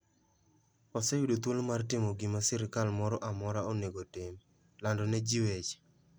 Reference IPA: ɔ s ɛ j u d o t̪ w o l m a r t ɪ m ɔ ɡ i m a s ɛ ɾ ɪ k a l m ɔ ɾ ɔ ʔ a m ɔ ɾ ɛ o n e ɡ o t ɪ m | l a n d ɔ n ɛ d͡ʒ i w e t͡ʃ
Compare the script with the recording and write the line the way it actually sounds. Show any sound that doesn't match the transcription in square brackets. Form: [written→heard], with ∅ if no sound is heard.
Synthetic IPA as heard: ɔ s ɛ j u d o t̪ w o l m a r t ɪ m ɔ ɡ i m a s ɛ ɾ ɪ k a l m ɔ ɾ ɔ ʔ a m ɔ ɾ [ɛ→a] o n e ɡ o t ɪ m | l a n d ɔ n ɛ d͡ʒ i w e t͡ʃ

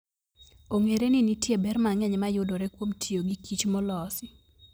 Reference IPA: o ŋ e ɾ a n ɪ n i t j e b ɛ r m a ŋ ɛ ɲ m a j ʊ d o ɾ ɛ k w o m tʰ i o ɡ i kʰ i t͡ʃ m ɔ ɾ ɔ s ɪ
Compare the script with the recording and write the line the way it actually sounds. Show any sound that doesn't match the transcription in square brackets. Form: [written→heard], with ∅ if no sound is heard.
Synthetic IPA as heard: o ŋ e ɾ [a→e] n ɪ n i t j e b ɛ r m a ŋ ɛ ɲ m a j ʊ d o ɾ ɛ k w o m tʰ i o ɡ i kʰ i t͡ʃ m ɔ [ɾ→l] ɔ s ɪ

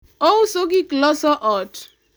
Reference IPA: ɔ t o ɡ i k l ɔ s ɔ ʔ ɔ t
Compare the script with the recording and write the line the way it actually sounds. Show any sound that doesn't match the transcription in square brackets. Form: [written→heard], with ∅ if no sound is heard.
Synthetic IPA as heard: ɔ [t→s] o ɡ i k l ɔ s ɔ ʔ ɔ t

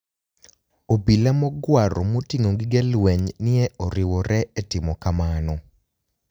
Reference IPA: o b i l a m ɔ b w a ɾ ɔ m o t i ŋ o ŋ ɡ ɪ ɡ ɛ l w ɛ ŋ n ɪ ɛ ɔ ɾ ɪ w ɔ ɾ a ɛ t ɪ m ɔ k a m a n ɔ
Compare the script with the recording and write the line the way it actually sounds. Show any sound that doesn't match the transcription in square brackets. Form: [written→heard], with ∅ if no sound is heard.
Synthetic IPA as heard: o b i l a m ɔ [b→ɡ] w a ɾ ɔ m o t i ŋ o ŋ ɡ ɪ ɡ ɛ l w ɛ [ŋ→ɲ] n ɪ ɛ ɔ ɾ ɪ w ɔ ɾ [a→ɛ] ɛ t ɪ m ɔ k a m a n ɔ

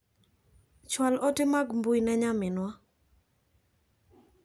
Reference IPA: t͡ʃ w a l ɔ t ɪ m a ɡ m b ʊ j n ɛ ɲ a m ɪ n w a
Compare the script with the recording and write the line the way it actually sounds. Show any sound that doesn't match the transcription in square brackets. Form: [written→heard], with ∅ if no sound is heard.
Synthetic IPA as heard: t͡ʃ w a l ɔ t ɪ m a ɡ m b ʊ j n ɛ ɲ a m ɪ n w a

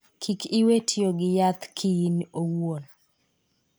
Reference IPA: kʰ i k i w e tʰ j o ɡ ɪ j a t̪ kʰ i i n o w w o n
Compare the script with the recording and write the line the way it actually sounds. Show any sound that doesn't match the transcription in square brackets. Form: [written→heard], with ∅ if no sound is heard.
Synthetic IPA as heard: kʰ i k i w e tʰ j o ɡ ɪ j a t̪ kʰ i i n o w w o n

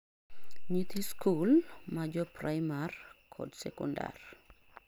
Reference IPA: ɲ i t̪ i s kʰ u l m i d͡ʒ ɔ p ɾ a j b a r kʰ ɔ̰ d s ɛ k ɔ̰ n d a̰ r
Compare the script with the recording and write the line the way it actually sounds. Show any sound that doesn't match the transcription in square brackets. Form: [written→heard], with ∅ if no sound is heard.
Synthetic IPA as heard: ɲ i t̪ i s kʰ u l m [i→a] d͡ʒ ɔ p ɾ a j [b→m] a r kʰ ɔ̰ d s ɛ k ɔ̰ n d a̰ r

